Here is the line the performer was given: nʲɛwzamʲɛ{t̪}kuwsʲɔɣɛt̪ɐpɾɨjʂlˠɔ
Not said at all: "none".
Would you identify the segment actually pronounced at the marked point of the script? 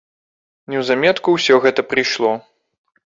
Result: t̪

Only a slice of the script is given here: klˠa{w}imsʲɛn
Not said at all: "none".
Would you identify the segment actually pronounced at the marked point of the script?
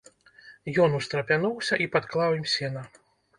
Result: w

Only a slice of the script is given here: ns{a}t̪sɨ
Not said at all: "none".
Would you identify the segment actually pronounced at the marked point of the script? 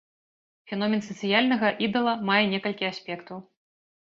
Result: ɐ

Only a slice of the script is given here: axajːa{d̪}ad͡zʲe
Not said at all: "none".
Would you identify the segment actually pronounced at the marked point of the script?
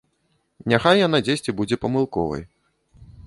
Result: n̪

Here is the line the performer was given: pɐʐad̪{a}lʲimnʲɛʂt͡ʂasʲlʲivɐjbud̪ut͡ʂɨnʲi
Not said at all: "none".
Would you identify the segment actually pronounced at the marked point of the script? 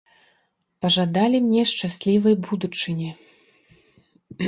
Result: a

